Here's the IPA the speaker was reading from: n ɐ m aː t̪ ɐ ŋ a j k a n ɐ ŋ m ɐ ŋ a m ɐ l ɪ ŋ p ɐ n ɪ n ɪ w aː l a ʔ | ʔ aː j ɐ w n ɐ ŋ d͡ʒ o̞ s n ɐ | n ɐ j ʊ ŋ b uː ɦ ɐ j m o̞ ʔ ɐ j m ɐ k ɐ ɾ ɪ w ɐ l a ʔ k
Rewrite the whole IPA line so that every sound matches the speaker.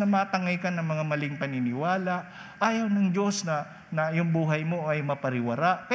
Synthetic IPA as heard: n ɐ m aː t̪ ɐ ŋ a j k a n ɐ ŋ m ɐ ŋ a m ɐ l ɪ ŋ p ɐ n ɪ n ɪ w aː l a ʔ | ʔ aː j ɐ w n ɐ ŋ d͡ʒ o̞ s n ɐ | n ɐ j ʊ ŋ b uː ɦ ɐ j m o̞ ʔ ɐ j m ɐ p ɐ ɾ ɪ w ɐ ɾ a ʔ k